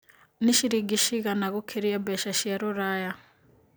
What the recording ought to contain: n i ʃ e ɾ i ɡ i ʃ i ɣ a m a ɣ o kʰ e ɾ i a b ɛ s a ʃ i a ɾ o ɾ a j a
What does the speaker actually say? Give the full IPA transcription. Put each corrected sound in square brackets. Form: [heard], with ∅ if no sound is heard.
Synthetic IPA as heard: n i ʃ [i] ɾ i ɡ i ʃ i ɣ a [n] a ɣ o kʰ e ɾ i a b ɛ [ʃ] a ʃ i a ɾ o ɾ a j a

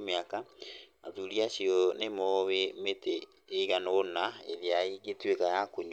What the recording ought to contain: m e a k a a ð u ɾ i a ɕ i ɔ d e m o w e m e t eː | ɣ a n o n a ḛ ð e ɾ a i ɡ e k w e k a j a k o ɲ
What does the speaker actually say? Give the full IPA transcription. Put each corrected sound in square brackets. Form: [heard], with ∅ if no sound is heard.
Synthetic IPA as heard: m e a k a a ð u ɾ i a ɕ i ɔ [n] e m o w e m e t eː | ɣ a n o n a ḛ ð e [∅] a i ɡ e [t] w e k a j a k o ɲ

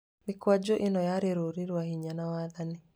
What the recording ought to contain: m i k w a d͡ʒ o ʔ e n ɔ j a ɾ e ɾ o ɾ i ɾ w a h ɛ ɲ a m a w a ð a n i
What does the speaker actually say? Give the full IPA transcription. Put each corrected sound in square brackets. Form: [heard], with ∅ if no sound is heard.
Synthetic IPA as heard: m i k w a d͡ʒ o ʔ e n ɔ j a ɾ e ɾ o ɾ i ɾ w a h [i] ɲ a [n] a w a ð a n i

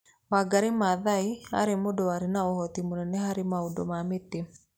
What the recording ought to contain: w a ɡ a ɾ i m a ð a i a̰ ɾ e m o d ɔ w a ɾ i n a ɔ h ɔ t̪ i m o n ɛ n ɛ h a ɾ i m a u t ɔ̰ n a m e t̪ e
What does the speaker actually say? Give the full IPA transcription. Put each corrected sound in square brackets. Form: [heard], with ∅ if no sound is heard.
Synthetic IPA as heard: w a ɡ a ɾ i m a ð a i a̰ ɾ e m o d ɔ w a ɾ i n a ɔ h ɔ t̪ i m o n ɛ n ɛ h a ɾ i m a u [d] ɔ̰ [m] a m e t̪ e

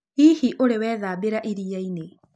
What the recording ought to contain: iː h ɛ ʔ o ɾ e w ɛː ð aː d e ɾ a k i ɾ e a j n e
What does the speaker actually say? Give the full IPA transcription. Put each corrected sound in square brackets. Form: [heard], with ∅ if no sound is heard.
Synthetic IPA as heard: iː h [i] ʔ o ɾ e w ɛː ð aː [b] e ɾ a [ʔ] i ɾ [i] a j n e

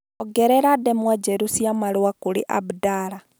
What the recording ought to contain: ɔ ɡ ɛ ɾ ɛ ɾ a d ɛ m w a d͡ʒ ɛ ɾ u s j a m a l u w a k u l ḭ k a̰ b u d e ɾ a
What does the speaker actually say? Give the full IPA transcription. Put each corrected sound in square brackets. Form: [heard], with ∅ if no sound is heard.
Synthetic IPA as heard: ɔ ɡ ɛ ɾ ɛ ɾ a d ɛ m w a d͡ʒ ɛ ɾ u s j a m a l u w a k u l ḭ [ʔ] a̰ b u d [a] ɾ a

